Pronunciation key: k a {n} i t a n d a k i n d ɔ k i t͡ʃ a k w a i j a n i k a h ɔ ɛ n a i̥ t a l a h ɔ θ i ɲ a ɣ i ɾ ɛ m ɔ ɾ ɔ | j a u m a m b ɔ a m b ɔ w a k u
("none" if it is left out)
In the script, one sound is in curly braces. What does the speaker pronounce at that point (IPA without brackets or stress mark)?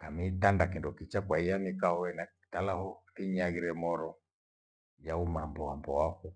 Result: m